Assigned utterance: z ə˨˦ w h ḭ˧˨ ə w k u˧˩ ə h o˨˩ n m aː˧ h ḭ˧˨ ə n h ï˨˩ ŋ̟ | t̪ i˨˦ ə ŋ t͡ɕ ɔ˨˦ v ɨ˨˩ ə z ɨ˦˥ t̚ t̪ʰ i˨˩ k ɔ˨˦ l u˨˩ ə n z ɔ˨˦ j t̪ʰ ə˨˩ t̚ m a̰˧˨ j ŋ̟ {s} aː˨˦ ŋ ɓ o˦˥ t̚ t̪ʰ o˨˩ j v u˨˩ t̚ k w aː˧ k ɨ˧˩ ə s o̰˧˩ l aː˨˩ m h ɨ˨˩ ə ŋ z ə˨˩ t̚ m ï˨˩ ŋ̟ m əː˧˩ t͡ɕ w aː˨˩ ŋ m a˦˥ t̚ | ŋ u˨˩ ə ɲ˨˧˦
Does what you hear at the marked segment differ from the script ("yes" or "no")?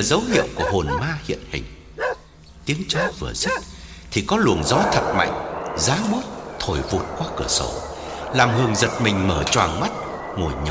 yes